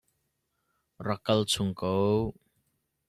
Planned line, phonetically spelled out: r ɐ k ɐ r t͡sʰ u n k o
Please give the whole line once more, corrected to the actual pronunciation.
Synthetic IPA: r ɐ k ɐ l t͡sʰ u ŋ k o